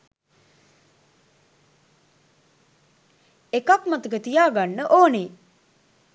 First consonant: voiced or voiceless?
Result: voiceless